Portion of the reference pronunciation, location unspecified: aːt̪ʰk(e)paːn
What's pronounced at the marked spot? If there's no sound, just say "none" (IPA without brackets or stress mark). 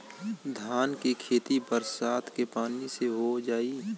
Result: e